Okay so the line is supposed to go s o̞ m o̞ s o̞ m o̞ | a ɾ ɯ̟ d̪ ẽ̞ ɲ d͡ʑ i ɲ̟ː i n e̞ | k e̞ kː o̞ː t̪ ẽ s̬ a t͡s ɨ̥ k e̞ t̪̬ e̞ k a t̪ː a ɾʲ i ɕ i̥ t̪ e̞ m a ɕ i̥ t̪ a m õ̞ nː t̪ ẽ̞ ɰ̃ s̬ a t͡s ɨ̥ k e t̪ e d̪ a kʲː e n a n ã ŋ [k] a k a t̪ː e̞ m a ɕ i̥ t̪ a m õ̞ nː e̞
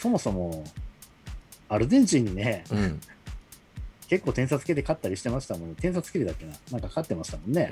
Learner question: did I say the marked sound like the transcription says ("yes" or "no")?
yes